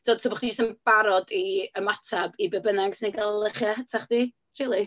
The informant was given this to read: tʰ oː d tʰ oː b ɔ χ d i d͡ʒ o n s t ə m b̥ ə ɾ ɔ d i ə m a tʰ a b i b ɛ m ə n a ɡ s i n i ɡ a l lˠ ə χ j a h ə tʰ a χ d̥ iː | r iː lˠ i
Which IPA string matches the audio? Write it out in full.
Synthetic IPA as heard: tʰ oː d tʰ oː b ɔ χ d i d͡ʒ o s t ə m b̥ a ɾ ɔ d i ə m a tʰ a b i b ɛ b ə n a ɡ s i n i ɡ a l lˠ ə χ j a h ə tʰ a χ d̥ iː | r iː lˠ i